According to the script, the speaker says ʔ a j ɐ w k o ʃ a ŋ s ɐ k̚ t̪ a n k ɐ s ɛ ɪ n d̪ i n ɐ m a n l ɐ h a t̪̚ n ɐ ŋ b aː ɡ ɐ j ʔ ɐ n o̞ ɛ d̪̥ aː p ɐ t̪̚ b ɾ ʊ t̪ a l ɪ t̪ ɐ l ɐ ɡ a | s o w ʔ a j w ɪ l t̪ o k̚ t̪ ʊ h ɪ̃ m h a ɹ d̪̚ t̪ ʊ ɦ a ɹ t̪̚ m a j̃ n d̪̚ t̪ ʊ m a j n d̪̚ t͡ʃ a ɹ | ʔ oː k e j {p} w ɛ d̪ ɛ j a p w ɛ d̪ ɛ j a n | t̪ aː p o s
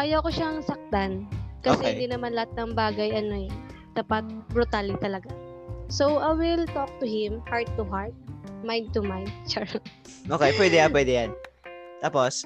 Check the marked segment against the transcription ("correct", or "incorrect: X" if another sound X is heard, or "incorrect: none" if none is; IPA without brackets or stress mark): correct